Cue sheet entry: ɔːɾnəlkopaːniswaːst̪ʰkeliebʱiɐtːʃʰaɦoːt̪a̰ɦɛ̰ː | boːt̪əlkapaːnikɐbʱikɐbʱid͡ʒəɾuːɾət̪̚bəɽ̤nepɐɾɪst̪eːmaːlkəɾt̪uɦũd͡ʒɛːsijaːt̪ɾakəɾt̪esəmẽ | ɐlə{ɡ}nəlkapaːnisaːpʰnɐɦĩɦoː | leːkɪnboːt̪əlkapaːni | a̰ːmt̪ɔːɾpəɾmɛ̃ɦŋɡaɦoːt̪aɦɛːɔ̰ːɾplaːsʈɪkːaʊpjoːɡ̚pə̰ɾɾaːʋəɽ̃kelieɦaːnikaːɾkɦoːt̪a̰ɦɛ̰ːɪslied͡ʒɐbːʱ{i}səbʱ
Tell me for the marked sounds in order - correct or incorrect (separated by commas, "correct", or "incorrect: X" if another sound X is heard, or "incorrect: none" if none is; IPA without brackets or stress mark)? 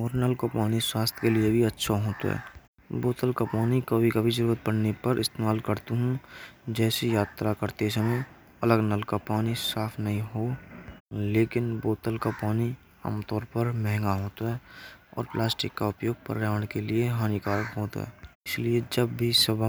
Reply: correct, correct